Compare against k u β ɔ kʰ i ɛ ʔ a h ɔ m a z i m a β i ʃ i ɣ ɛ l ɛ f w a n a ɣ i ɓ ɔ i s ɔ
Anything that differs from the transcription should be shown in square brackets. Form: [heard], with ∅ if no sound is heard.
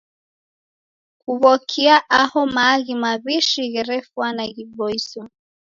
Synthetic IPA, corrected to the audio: k u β ɔ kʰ i [a] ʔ a h ɔ m a [ɣ] i m a β i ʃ i ɣ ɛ [ɾ] ɛ f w a n a ɣ i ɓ ɔ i s ɔ